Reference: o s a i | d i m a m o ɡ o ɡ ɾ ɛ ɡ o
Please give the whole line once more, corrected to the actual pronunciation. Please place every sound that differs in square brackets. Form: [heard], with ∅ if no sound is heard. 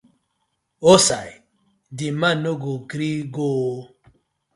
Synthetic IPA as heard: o s a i | d i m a [n] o ɡ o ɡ ɾ [i] ɡ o